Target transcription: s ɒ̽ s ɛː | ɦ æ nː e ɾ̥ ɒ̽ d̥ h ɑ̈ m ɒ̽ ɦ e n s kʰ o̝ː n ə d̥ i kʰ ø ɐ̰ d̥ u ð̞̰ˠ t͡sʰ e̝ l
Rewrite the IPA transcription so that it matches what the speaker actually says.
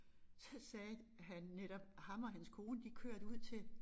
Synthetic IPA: s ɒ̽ s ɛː | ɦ æ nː e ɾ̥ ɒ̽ b̥ h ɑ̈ m ɒ̽ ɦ æ n s kʰ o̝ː n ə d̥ i kʰ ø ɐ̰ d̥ u ð̞̰ˠ t͡sʰ e̝ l